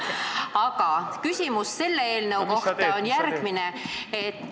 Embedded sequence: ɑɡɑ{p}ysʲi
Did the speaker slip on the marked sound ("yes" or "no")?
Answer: yes